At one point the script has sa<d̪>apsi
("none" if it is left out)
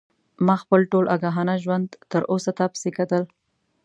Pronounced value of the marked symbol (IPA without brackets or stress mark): t̪